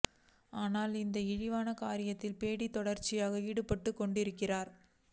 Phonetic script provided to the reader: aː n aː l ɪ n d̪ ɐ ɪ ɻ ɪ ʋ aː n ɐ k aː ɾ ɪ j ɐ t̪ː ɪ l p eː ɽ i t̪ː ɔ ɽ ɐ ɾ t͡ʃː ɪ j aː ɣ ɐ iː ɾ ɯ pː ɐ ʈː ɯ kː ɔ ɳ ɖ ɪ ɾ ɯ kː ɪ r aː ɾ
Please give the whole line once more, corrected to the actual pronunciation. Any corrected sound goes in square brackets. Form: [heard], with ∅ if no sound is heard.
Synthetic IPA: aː n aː l ɪ n d̪ ɐ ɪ ɻ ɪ ʋ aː n ɐ k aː ɾ ɪ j ɐ t̪ː ɪ l p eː ɽ i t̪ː ɔ ɽ ɐ ɾ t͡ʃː ɪ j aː ɣ ɐ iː [ɽ] ɯ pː ɐ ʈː ɯ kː ɔ ɳ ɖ ɪ ɾ ɯ kː ɪ r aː ɾ